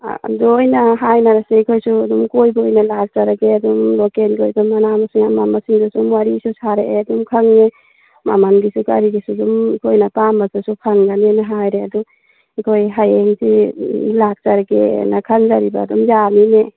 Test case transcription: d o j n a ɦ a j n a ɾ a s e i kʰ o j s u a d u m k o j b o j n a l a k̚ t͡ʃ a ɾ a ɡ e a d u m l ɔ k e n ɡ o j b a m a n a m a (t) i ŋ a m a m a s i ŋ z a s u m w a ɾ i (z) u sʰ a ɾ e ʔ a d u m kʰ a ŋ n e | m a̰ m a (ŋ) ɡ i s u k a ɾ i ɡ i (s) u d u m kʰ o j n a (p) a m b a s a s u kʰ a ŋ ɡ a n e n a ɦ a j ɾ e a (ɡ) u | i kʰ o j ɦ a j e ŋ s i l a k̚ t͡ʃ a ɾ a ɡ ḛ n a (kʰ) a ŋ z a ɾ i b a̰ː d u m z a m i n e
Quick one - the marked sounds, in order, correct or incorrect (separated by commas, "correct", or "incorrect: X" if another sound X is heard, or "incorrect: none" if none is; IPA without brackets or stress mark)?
incorrect: s, incorrect: s, incorrect: n, correct, correct, incorrect: d, correct